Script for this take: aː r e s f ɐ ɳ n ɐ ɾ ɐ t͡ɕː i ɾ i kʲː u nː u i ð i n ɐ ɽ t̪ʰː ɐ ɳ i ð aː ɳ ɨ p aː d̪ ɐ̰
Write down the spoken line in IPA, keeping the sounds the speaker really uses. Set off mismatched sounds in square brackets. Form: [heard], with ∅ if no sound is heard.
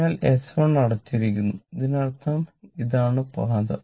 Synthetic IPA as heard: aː [l] e s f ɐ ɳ n ɐ [ɽ] ɐ t͡ɕː i ɾ i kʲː u nː u i ð i n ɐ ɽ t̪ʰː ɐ [m] i ð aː ɳ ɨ p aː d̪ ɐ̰